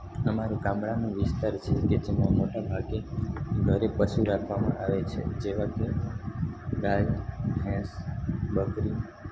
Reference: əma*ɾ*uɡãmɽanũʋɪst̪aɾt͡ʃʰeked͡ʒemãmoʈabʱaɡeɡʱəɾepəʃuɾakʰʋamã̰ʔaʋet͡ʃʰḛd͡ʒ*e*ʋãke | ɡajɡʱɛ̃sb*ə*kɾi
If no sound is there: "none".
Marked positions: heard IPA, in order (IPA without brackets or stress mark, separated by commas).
ɾ, e, ə